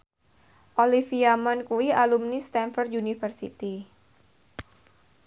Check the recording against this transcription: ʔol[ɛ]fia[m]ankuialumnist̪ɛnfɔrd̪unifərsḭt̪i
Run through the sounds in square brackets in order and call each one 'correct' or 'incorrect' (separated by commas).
incorrect, correct